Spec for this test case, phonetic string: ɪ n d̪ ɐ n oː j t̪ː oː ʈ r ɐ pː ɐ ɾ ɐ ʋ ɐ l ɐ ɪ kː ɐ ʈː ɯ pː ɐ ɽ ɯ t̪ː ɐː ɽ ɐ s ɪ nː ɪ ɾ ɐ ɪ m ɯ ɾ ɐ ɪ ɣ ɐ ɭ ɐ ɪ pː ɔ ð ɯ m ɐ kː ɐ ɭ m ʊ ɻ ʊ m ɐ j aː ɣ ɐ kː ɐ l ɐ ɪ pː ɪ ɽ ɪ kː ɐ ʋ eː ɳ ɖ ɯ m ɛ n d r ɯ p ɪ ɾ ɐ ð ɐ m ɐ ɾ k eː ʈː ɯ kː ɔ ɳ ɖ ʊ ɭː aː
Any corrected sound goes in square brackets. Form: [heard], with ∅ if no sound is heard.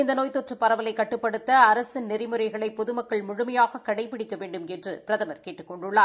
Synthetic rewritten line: ɪ n d̪ ɐ n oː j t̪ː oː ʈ r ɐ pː ɐ ɾ ɐ ʋ ɐ l ɐ ɪ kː ɐ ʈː ɯ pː ɐ ɽ ɯ t̪ː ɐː [ɾ] ɐ s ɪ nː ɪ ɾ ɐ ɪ m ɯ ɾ ɐ ɪ ɣ ɐ ɭ ɐ ɪ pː ɔ ð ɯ m ɐ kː ɐ ɭ m ʊ ɻ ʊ m ɐ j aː ɣ ɐ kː ɐ [ɽ] ɐ ɪ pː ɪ ɽ ɪ kː ɐ ʋ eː ɳ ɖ ɯ m ɛ n d r ɯ p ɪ ɾ ɐ ð ɐ m ɐ ɾ k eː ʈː ɯ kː ɔ ɳ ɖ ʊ ɭː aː